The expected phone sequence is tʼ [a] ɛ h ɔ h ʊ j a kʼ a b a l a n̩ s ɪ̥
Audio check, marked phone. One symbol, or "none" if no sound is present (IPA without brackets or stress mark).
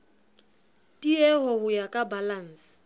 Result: i